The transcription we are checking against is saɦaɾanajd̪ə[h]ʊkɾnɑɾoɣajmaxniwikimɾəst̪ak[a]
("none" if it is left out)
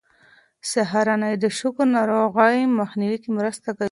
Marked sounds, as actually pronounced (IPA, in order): ʃ, a

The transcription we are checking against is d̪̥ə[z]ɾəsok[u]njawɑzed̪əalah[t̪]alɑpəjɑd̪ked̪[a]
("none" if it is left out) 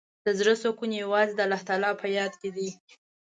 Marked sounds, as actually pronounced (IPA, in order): z, u, t̪, i

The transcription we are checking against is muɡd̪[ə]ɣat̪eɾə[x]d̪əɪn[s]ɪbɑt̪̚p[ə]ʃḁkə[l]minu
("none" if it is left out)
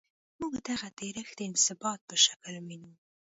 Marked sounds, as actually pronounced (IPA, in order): a, x, s, ə, l

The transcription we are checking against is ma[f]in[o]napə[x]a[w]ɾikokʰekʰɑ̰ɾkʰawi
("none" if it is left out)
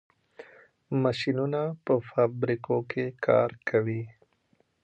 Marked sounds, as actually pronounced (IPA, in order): ʃ, u, f, b

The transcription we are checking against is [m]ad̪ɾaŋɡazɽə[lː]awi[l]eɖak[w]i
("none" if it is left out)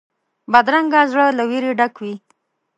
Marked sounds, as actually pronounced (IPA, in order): b, l, ɾ, w

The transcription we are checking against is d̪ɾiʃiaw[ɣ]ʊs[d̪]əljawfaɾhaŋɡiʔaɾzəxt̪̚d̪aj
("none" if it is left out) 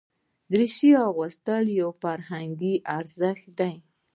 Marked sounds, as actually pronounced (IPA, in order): ɣ, t̪

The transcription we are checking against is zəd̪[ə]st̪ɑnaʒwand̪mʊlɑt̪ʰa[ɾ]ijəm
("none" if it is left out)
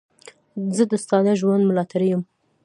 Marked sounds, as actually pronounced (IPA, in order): ə, ɾ

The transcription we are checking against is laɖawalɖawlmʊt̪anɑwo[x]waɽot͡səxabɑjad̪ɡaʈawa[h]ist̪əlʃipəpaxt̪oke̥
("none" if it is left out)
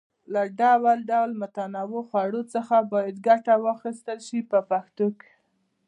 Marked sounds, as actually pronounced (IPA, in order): x, x

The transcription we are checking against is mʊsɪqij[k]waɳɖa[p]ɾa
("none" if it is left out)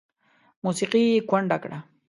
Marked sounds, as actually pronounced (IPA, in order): k, k

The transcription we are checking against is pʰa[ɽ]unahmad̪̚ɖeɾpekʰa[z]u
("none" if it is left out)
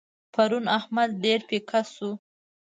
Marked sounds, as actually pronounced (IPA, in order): ɾ, s

